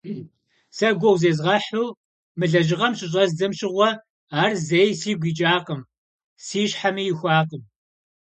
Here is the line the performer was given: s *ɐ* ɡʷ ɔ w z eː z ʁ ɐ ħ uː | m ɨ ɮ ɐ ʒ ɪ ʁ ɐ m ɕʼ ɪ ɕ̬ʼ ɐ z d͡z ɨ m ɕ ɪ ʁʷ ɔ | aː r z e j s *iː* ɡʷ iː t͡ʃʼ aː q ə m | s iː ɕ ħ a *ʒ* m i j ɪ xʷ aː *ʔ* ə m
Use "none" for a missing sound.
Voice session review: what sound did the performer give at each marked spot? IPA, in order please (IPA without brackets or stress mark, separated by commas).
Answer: ɐ, iː, none, q